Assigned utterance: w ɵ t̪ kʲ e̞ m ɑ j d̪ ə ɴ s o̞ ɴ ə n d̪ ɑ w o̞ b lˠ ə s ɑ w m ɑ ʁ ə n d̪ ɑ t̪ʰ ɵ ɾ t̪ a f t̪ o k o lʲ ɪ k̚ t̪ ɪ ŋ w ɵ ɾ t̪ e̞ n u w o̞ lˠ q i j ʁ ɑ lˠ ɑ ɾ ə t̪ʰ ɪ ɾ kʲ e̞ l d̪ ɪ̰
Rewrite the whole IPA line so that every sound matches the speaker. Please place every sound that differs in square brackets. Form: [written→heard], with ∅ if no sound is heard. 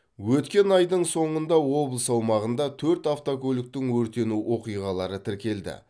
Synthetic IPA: w ɵ t̪ kʲ e̞ [m→n] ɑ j d̪ ə ɴ s o̞ ɴ ə n d̪ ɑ w o̞ b lˠ ə s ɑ w m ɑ ʁ ə n d̪ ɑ t̪ʰ ɵ ɾ t̪ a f t̪ o k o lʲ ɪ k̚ t̪ ɪ ŋ w ɵ ɾ t̪ e̞ n u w o̞ [lˠ→∅] q i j ʁ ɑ lˠ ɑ ɾ ə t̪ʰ ɪ ɾ kʲ e̞ l d̪ ɪ̰